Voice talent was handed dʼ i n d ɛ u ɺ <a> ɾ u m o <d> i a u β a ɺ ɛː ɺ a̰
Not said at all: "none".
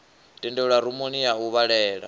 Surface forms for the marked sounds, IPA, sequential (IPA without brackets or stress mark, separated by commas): a, n